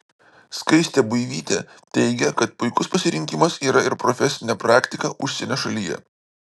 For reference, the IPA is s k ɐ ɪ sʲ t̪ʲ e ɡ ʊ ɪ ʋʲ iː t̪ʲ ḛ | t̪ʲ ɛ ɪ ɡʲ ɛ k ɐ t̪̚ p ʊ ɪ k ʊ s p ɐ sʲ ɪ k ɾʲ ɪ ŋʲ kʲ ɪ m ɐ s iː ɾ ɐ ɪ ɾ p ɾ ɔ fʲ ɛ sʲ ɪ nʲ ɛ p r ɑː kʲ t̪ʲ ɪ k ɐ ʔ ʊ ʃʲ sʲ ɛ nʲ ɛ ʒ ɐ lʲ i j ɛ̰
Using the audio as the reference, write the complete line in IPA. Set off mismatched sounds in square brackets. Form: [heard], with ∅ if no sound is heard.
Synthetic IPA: s k ɐ ɪ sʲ t̪ʲ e [b] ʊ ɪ ʋʲ iː t̪ʲ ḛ | t̪ʲ ɛ ɪ ɡʲ ɛ k ɐ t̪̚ p ʊ ɪ k ʊ s p ɐ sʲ ɪ [∅] ɾʲ ɪ ŋʲ kʲ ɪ m ɐ s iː ɾ ɐ ɪ ɾ p ɾ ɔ fʲ ɛ sʲ ɪ nʲ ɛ p [ɾ] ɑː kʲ t̪ʲ ɪ k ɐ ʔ ʊ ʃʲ sʲ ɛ nʲ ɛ [ʃ] ɐ lʲ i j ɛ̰